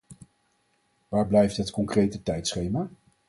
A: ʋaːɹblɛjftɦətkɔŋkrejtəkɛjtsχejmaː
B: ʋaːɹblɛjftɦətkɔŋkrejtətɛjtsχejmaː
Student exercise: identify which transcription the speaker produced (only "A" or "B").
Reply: B